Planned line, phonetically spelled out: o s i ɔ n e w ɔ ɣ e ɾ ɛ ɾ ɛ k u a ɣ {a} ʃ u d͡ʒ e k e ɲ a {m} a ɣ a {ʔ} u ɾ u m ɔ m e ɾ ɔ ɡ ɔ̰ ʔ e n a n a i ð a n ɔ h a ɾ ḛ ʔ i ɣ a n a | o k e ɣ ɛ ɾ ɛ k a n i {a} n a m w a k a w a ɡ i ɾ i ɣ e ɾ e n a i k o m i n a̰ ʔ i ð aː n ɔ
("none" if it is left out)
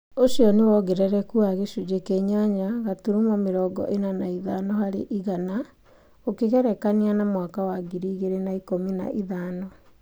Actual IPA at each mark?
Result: e, ɲ, t, a

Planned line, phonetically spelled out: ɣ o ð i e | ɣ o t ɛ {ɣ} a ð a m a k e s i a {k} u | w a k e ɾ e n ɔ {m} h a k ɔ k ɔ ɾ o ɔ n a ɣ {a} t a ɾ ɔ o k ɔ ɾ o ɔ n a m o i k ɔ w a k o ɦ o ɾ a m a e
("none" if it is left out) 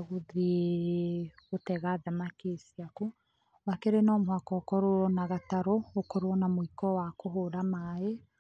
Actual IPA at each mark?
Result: ɣ, k, m, a

